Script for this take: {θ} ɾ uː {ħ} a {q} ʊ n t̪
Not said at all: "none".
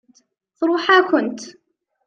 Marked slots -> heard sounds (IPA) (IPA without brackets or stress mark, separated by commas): θ, ħ, k